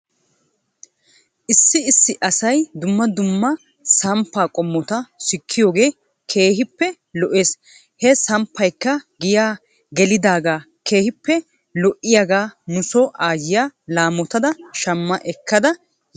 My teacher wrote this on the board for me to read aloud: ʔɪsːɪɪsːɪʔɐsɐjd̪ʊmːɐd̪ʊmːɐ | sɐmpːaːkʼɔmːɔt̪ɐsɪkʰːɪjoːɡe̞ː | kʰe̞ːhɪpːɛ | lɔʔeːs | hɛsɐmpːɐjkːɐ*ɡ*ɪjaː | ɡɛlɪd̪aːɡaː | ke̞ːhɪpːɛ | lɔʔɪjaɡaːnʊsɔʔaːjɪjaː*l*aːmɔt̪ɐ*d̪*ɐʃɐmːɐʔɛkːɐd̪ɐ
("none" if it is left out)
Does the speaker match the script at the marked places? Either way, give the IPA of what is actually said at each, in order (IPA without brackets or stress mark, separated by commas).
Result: ɡ, l, d̪